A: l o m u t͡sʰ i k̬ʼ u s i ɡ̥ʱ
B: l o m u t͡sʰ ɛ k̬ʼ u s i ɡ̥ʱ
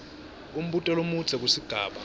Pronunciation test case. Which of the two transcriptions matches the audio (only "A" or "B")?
B